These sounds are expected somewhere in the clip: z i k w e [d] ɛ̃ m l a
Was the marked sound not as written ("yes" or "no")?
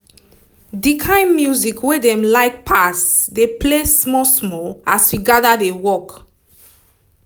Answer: no